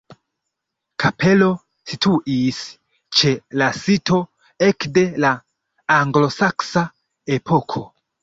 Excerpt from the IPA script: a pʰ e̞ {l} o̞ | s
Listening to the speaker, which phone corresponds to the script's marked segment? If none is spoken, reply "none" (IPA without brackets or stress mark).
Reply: l